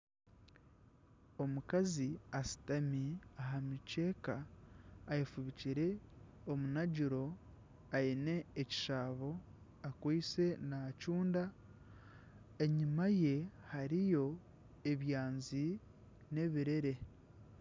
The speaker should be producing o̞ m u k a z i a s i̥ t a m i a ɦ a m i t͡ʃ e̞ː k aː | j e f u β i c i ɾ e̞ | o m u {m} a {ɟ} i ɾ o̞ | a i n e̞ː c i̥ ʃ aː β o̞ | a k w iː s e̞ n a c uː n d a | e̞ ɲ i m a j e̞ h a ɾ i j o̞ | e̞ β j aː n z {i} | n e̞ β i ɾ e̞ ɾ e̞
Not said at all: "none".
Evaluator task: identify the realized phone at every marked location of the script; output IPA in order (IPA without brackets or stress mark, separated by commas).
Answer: n, ɟ, i